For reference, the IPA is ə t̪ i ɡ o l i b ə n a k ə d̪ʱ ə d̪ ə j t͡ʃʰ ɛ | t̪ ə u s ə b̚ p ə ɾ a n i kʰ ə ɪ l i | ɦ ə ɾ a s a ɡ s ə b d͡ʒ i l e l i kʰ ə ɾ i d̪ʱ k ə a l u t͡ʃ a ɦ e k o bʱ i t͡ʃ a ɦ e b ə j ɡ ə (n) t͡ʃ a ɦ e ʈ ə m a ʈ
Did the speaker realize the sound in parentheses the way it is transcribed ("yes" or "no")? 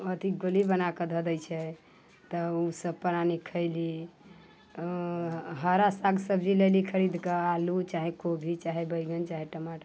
yes